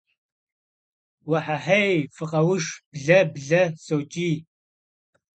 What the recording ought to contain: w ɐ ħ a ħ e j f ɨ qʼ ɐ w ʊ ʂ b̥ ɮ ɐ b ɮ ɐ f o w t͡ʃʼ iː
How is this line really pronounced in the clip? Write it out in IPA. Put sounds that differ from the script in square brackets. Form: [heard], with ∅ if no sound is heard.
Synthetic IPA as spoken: w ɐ ħ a ħ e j f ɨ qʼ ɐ w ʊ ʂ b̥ ɮ ɐ b ɮ ɐ [s] o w t͡ʃʼ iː